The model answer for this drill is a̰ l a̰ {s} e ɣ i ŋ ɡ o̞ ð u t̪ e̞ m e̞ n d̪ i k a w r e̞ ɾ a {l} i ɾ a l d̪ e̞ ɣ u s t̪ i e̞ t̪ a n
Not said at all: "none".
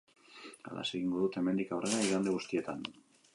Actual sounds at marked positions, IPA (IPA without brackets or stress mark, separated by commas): s, none